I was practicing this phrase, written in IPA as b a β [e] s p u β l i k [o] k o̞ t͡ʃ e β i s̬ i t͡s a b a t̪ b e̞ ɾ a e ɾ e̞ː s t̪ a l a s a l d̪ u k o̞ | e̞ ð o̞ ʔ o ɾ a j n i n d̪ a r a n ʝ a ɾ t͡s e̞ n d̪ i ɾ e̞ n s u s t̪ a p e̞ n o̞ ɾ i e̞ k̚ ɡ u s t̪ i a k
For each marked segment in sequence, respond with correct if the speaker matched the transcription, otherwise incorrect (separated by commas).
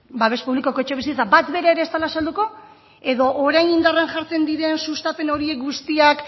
correct, correct